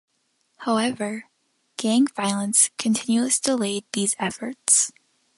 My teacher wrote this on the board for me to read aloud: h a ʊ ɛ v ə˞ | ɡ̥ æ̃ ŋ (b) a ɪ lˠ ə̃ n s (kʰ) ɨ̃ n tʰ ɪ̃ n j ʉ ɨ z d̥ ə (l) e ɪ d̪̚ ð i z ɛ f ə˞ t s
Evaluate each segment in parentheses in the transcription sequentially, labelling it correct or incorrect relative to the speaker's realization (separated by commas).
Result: incorrect, correct, correct